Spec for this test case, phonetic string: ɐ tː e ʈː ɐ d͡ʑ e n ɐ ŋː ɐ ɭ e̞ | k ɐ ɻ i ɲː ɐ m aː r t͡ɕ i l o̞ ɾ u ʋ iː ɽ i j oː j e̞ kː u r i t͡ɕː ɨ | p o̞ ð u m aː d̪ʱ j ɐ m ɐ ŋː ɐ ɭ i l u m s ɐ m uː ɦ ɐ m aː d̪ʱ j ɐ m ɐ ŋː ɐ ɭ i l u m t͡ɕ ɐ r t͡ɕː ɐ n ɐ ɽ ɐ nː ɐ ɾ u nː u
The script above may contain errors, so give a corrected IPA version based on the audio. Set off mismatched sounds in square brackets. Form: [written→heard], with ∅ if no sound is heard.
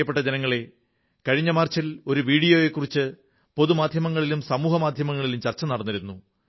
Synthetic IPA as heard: ɐ [tː→pː] e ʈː ɐ d͡ʑ e n ɐ ŋː ɐ ɭ e̞ | k ɐ ɻ i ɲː ɐ m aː r t͡ɕ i l o̞ ɾ u ʋ iː ɽ i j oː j e̞ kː u r i t͡ɕː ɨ | p o̞ ð u m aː d̪ʱ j ɐ m ɐ ŋː ɐ ɭ i l u m s ɐ m uː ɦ ɐ m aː d̪ʱ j ɐ m ɐ ŋː ɐ ɭ i l u m t͡ɕ ɐ r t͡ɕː ɐ n ɐ ɽ ɐ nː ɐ ɾ u nː u